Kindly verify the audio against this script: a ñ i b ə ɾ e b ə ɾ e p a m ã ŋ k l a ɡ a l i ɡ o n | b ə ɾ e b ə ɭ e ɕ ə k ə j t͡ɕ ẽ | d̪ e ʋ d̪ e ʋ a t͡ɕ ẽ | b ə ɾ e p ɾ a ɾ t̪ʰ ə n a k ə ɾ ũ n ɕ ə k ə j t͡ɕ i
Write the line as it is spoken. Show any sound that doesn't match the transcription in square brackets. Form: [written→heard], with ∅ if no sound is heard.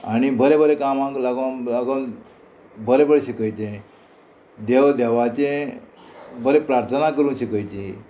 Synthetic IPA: a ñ i b ə ɾ e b ə ɾ e [p→k] a m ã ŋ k l a ɡ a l [i→a] ɡ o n | b ə ɾ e b ə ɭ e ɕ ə k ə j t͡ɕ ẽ | d̪ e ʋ d̪ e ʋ a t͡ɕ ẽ | b ə ɾ e p ɾ a ɾ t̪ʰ ə n a k ə ɾ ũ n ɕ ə k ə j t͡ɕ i